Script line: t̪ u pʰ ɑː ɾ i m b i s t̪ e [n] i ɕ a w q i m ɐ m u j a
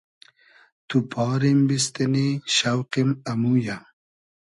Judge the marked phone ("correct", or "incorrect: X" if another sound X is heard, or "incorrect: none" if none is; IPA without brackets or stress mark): correct